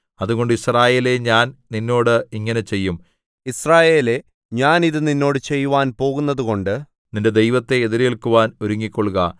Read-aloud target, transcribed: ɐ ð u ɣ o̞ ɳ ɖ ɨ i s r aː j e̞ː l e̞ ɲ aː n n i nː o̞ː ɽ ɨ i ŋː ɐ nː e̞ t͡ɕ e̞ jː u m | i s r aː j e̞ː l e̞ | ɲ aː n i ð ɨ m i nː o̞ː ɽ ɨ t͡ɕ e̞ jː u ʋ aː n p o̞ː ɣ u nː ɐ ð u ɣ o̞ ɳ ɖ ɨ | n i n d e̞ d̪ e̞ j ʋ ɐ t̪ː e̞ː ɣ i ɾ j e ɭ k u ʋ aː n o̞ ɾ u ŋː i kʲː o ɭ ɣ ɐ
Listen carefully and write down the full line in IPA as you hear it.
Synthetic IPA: ɐ ð u ɣ o̞ ɳ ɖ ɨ i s r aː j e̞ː l e̞ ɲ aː n n i nː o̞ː ɽ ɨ i ŋː ɐ n e̞ t͡ɕ e̞ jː u m | i s r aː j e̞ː l e̞ | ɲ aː n i ð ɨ n i nː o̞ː ɽ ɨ t͡ɕ e̞ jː u ʋ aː n p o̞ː ɣ u nː ɐ ð u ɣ o̞ ɳ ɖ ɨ | n i n d e̞ d̪ e̞ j ʋ ɐ t̪ː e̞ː ð i ɾ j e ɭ k u ʋ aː n o̞ ɾ u ŋː i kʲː o ɭ ɣ ɐ